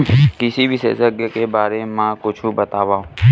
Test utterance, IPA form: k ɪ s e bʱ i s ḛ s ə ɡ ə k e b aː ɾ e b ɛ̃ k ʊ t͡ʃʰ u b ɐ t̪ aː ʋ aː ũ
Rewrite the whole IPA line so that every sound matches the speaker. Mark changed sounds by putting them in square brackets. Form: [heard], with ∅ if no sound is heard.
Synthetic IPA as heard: k ɪ s [i] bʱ i s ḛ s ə ɡ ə k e b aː ɾ e [m] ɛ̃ k ʊ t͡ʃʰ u b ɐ t̪ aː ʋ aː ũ